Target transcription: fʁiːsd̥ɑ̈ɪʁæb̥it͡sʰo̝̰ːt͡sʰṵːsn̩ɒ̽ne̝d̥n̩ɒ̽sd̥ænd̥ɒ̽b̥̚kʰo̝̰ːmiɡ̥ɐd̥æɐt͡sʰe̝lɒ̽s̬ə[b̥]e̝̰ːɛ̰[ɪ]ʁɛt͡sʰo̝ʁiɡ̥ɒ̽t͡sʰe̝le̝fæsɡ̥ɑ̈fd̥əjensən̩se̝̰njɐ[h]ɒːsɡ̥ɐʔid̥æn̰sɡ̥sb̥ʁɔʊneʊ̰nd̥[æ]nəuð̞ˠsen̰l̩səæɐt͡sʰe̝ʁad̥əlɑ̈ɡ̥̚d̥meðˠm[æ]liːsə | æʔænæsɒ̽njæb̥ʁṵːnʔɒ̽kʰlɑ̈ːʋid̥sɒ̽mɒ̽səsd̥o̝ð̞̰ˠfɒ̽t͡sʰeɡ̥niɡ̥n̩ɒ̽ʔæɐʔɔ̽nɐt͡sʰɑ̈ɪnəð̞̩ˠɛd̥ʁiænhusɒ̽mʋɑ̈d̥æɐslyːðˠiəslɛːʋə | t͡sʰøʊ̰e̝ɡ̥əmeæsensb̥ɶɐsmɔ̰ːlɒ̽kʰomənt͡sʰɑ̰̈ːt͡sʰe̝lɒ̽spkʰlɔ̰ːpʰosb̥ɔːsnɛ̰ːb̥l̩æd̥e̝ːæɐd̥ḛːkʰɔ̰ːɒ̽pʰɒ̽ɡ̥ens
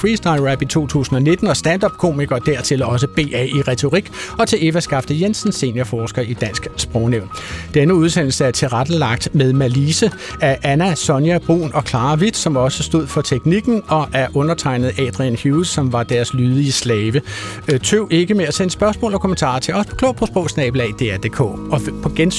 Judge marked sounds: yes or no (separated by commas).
yes, no, no, no, yes